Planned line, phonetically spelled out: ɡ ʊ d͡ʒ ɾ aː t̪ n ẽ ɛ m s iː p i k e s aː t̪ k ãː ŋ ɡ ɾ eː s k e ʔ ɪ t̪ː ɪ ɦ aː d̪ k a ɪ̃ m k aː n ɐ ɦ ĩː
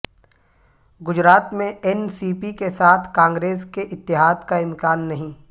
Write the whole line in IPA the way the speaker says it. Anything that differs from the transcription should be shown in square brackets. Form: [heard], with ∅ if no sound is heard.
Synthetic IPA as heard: ɡ ʊ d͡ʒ ɾ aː t̪ [m] ẽ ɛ [n] s iː p i k e s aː [t̪ʰ] k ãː ŋ ɡ ɾ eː s k e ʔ ɪ t̪ː ɪ ɦ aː d̪ k a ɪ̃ m k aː [nː] ɐ ɦ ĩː